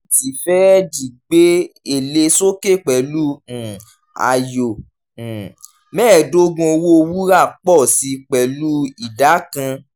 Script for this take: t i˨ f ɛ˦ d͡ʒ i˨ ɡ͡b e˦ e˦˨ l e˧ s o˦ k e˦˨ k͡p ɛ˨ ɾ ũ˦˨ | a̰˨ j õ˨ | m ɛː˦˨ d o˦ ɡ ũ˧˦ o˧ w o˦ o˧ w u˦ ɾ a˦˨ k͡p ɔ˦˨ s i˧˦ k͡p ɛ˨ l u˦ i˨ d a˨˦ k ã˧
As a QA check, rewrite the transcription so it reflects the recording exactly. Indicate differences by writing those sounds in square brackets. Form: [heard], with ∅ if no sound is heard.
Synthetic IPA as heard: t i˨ f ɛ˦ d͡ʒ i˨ ɡ͡b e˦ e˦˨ l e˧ s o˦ k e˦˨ k͡p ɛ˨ [l] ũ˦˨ | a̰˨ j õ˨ | m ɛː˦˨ d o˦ ɡ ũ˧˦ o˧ w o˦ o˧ w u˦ ɾ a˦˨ k͡p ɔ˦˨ s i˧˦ k͡p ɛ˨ l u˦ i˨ d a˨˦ k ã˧